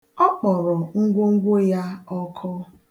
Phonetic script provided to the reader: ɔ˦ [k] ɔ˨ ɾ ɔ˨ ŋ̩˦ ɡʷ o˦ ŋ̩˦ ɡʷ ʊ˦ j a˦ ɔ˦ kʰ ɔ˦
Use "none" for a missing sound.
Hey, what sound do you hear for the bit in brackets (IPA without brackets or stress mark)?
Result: k͡p